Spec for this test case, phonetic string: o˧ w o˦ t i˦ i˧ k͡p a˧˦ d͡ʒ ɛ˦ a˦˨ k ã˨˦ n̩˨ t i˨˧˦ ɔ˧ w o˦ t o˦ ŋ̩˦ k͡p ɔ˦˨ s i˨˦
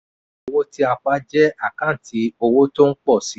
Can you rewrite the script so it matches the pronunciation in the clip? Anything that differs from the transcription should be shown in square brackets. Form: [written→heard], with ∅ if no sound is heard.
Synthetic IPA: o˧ w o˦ t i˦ [i˧→a˧] k͡p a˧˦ d͡ʒ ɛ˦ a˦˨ k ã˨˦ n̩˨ t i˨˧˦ [ɔ˧→o˧] w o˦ t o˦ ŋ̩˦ k͡p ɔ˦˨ s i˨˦